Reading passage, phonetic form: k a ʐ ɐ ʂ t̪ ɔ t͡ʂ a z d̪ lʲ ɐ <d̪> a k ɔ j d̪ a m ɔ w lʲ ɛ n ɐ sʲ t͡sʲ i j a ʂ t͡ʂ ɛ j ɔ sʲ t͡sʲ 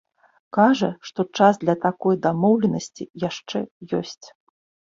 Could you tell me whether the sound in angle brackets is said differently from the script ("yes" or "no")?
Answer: yes